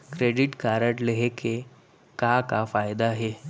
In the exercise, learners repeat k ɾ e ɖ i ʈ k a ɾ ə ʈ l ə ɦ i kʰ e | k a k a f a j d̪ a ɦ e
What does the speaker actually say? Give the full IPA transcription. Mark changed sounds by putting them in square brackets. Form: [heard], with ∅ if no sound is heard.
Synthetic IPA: k ɾ e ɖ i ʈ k a ɾ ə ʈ l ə ɦ [e] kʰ e | k a k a f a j d̪ a ɦ e